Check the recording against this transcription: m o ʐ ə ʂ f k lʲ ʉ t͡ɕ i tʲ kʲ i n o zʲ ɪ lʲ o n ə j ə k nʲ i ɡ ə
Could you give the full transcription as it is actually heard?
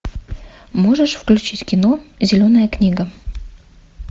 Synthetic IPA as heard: m o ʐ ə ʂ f k lʲ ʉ t͡ɕ i tʲ kʲ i n o zʲ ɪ lʲ o n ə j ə k nʲ i ɡ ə